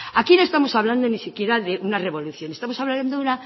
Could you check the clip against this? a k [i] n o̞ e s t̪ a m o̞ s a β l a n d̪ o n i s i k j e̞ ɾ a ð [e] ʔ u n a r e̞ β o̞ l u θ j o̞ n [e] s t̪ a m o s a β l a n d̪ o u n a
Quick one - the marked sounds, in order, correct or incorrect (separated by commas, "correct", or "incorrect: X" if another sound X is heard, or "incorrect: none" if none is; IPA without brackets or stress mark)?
correct, correct, correct